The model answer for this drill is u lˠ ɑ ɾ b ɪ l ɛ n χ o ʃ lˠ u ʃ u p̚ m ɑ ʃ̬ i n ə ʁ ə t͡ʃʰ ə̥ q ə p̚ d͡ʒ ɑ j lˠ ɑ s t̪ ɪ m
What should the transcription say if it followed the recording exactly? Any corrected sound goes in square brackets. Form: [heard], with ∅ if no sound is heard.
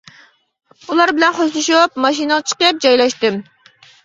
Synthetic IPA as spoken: u lˠ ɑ ɾ b ɪ l ɛ n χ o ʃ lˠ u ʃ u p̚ m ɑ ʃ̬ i n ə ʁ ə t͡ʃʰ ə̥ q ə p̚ d͡ʒ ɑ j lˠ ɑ [ʃ] t̪ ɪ m